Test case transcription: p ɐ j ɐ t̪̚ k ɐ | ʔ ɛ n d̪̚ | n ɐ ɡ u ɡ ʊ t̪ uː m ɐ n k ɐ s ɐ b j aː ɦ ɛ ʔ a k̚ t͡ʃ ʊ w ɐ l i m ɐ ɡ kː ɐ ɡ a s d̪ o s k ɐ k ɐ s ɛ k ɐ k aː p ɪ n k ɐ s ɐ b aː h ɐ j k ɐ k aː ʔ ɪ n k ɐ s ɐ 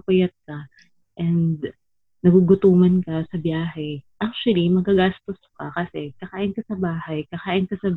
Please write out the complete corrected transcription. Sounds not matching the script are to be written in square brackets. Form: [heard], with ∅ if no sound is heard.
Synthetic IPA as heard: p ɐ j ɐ t̪̚ k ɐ | ʔ ɛ n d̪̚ | n ɐ ɡ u ɡ ʊ t̪ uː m ɐ n k ɐ s ɐ b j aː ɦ ɛ ʔ a k̚ t͡ʃ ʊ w ɐ l i m ɐ ɡ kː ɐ ɡ a s [t̪] o s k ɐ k ɐ s ɛ k ɐ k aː [ʔ] ɪ n k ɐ s ɐ b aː h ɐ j k ɐ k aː ʔ ɪ n k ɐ s ɐ